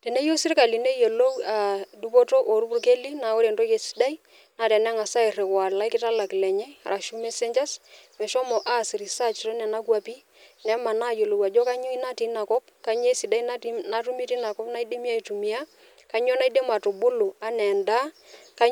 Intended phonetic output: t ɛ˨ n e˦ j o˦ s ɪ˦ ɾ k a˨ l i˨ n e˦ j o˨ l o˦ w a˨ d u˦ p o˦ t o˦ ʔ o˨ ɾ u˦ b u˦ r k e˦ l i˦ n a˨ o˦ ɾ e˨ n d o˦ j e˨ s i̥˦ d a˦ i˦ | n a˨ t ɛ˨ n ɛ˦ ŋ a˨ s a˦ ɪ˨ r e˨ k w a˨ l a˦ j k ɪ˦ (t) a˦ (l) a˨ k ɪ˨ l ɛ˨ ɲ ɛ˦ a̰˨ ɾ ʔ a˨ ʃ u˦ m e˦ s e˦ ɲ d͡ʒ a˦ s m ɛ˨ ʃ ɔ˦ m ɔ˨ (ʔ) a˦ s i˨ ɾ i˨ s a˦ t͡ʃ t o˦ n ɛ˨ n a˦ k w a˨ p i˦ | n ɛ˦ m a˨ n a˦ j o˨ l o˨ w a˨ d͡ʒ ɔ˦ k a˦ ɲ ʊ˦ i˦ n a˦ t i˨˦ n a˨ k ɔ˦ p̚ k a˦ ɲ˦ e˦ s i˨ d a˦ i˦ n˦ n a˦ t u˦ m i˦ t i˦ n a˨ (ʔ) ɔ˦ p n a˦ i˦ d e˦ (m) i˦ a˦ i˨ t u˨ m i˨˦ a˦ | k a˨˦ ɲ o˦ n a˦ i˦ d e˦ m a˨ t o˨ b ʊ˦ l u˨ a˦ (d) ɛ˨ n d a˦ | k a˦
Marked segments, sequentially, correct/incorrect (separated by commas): correct, correct, correct, incorrect, correct, incorrect